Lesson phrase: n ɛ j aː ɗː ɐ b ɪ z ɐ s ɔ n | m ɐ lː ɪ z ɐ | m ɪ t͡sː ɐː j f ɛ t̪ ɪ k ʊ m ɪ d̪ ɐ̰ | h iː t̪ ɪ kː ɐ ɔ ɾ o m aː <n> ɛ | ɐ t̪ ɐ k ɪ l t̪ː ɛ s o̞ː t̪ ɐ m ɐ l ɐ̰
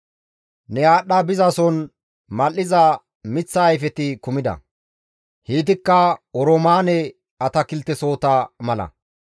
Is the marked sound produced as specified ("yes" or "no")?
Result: yes